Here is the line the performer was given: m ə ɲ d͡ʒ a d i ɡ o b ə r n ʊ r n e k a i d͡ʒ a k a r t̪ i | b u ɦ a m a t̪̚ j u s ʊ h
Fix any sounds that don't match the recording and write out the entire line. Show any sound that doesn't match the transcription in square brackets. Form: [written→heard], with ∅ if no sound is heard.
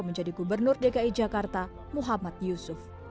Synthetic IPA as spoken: m ə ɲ d͡ʒ a d i ɡ [o→u] b ə r n ʊ r [n→d] e k a i d͡ʒ a k a r t̪ [i→a] | [b→m] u ɦ a m a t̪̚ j u s ʊ [h→f]